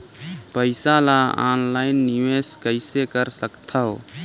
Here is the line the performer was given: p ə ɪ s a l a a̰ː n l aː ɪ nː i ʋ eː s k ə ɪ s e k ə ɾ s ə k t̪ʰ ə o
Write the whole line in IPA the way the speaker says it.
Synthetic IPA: p ə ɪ s a l a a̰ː n l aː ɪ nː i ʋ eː s k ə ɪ s e k ə ɾ s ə k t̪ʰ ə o